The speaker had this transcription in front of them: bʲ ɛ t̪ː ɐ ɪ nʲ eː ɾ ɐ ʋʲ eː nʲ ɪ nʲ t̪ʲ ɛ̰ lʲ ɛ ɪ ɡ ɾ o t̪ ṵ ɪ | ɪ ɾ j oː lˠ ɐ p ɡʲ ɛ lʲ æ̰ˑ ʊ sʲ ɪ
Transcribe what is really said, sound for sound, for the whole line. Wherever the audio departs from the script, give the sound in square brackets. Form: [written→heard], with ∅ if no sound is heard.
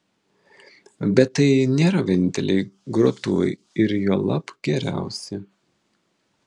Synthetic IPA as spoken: bʲ ɛ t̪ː ɐ ɪ nʲ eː ɾ ɐ ʋʲ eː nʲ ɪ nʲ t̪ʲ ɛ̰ lʲ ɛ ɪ ɡ ɾ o t̪ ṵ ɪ | ɪ ɾ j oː lˠ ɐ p ɡʲ ɛ [lʲ→ɾʲ] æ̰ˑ ʊ sʲ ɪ

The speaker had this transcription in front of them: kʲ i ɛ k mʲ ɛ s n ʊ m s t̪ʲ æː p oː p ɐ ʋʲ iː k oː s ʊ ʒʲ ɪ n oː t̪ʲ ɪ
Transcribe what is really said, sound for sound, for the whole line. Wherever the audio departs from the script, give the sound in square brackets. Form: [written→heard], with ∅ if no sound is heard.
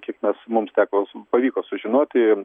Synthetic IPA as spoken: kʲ i ɛ k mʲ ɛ s [n→m] ʊ m s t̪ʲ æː [p→k] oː p ɐ ʋʲ iː k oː s ʊ ʒʲ ɪ n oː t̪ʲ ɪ

